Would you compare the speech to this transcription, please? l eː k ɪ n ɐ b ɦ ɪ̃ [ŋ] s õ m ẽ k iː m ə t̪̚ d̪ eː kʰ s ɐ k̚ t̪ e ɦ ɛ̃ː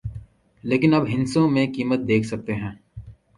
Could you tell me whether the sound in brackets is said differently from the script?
yes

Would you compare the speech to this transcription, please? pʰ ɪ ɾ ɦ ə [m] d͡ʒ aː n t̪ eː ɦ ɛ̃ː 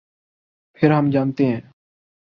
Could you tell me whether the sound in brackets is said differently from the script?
no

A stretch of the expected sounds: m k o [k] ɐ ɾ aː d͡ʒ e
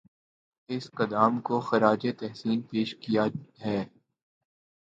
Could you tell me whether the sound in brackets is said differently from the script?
yes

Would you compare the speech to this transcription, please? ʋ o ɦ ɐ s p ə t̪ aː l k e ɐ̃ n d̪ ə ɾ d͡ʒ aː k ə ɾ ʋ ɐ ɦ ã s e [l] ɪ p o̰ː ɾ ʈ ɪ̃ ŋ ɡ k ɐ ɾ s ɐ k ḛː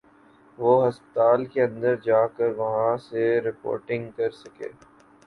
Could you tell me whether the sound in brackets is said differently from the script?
yes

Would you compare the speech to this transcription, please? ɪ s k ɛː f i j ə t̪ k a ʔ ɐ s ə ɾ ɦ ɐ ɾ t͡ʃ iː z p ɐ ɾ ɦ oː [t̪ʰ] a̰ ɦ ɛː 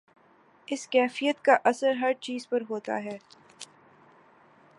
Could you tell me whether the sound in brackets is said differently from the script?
yes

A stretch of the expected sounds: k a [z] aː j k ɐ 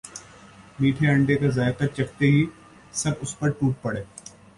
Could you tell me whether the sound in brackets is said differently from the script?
no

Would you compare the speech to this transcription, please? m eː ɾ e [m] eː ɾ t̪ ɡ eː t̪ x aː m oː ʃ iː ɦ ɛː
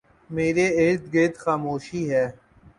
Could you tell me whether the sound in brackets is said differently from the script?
yes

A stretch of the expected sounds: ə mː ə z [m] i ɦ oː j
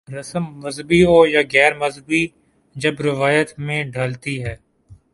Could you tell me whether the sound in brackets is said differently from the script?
yes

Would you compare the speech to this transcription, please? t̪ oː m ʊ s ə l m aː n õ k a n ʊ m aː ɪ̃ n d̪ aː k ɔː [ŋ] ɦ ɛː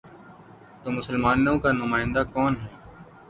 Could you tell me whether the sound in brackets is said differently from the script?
yes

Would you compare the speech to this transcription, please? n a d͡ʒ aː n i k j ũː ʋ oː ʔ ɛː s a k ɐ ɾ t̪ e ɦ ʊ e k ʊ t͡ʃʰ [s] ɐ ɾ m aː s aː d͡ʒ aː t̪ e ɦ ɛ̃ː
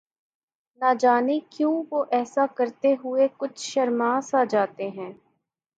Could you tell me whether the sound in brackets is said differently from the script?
yes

